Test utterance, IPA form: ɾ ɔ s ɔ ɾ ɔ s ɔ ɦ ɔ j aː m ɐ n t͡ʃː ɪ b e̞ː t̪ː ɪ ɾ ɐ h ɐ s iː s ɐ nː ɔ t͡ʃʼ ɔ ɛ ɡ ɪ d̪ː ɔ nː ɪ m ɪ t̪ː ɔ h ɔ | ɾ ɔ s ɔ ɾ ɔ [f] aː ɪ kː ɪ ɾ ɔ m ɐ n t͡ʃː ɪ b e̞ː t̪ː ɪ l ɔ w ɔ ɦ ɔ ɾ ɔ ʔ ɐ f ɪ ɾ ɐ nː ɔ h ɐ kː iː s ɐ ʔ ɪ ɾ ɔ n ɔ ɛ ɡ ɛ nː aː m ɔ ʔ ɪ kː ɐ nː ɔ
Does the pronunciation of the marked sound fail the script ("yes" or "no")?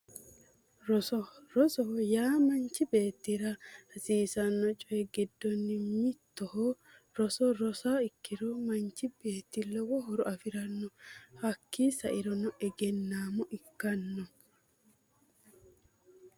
yes